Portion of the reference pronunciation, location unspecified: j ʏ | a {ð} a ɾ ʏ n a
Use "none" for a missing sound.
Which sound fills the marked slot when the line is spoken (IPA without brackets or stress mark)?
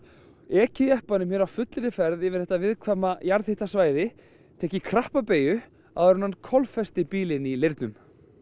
ð